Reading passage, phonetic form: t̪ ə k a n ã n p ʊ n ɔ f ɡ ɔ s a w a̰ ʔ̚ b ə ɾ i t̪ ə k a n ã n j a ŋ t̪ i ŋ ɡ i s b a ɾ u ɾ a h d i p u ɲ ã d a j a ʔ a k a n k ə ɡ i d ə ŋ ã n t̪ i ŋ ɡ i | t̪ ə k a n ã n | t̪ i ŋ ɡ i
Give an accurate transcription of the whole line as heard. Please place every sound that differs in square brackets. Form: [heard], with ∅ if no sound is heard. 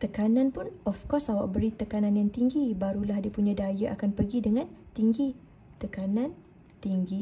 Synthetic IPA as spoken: t̪ ə k a n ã n p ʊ n ɔ f [k] ɔ s a w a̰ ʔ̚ b ə ɾ i t̪ ə k a n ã n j a ŋ t̪ i ŋ ɡ i [∅] b a ɾ u [l] a h d i p u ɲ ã d a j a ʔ a k a n [p] ə ɡ i d ə ŋ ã n t̪ i ŋ ɡ i | t̪ ə k a n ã n | t̪ i ŋ ɡ i